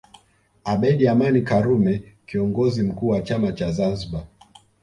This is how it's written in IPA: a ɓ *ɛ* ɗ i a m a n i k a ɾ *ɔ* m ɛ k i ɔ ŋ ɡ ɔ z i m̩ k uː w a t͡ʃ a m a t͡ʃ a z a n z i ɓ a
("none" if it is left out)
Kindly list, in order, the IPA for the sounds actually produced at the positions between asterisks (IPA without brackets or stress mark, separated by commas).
ɛ, u